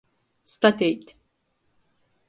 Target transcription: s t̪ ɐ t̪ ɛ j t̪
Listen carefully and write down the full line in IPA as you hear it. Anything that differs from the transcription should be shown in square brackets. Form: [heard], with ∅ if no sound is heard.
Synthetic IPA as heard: s t̪ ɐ t̪ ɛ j t̪